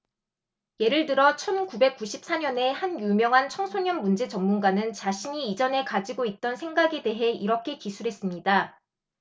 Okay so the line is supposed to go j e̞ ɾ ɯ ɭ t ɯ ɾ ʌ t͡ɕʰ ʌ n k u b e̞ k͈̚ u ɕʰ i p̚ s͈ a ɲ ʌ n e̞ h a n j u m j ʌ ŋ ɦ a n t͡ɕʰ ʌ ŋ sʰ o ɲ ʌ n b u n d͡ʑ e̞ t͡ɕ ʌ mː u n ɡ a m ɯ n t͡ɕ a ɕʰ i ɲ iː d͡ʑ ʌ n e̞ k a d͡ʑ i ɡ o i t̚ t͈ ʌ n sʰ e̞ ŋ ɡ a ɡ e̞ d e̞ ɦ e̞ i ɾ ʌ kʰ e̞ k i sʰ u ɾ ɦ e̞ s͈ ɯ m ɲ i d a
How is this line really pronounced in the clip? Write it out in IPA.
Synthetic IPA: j e̞ ɾ ɯ ɭ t ɯ ɾ ʌ t͡ɕʰ ʌ n k u b e̞ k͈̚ u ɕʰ i p̚ s͈ a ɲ ʌ n e̞ h a n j u m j ʌ ŋ ɦ a n t͡ɕʰ ʌ ŋ sʰ o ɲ ʌ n m u n d͡ʑ e̞ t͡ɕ ʌ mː u n ɡ a n ɯ n t͡ɕ a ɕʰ i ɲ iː d͡ʑ ʌ n e̞ k a d͡ʑ i ɡ o i t̚ t͈ ʌ n sʰ e̞ ŋ ɡ a ɡ e̞ d e̞ ɦ e̞ i ɾ ʌ kʰ e̞ k i sʰ u ɾ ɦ e̞ s͈ ɯ m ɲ i d a